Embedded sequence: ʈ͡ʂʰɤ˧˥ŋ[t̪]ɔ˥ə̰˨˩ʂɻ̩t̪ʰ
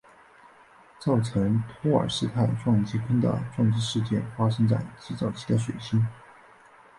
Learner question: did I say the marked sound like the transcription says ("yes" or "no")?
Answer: no